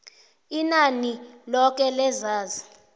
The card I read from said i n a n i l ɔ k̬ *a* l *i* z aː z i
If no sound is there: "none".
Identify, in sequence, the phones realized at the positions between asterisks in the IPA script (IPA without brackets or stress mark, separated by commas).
ɛ, ɛ